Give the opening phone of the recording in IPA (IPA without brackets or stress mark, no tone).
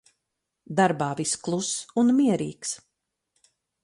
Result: d̪